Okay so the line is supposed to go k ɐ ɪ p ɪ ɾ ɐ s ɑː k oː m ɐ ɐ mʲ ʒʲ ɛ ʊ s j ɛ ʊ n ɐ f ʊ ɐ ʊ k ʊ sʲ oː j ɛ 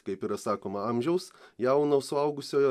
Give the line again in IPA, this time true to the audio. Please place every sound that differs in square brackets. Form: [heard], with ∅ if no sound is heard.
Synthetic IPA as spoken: k ɐ ɪ p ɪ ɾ ɐ s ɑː k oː m ɐ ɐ mʲ ʒʲ ɛ ʊ s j ɛ ʊ n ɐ [s] ʊ ɐ ʊ [ɡ] ʊ sʲ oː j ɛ